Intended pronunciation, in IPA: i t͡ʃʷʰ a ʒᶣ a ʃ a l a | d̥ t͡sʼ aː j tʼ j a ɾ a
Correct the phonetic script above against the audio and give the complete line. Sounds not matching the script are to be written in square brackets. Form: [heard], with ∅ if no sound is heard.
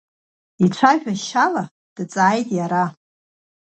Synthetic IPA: i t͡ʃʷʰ a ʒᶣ a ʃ a l a | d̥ t͡sʼ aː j tʼ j a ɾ a